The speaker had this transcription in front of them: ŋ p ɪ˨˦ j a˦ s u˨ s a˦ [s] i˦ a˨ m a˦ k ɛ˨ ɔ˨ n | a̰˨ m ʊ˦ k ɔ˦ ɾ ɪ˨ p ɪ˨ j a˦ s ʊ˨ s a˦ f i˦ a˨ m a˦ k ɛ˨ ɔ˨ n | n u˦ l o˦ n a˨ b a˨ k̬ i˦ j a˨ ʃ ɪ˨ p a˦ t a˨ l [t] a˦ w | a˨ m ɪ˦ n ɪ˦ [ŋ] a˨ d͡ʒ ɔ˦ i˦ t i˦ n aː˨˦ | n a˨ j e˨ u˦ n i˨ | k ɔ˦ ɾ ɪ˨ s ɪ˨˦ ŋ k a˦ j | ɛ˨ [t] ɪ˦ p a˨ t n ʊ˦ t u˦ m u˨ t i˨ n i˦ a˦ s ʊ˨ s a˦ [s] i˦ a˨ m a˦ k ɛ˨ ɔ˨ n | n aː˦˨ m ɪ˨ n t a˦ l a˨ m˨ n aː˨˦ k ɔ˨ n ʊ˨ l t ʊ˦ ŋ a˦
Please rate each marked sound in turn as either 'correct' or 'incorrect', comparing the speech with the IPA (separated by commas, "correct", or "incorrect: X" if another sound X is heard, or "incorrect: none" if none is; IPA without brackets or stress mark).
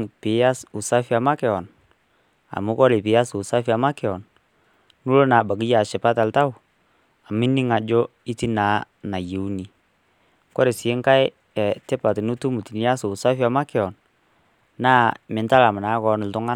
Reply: incorrect: f, correct, correct, correct, incorrect: f